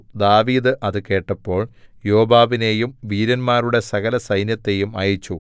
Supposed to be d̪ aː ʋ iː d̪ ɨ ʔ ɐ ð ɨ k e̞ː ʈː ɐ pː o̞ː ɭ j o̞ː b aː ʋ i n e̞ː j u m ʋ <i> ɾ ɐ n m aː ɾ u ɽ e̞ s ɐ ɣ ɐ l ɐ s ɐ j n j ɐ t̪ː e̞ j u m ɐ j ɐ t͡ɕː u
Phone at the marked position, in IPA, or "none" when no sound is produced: iː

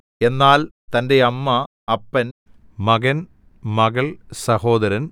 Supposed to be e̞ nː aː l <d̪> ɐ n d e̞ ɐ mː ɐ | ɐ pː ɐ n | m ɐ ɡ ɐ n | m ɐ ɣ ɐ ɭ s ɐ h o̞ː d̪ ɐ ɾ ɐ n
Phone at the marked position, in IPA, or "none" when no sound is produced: t̪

